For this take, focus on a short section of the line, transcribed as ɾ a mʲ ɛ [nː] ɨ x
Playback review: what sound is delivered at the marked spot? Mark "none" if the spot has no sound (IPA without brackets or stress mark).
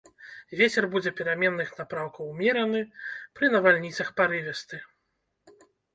nː